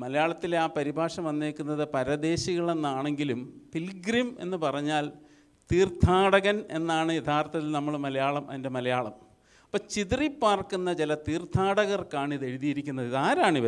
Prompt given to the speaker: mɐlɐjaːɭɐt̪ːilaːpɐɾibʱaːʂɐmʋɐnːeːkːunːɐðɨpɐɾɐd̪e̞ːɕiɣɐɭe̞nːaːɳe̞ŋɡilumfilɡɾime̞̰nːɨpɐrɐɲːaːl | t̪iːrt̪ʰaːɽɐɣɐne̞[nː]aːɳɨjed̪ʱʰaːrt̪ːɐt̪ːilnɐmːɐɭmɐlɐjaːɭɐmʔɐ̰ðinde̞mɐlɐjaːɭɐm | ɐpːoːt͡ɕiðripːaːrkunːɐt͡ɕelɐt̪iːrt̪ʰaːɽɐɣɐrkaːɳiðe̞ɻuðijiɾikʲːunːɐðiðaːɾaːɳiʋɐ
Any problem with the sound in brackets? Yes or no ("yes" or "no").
no